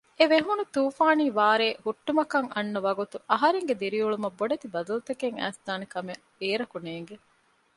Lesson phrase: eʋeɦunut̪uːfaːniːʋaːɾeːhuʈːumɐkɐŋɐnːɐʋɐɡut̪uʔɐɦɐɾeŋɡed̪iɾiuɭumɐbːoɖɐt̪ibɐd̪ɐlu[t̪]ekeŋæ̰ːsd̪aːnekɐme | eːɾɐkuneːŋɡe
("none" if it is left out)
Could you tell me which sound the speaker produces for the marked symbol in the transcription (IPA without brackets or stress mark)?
t̪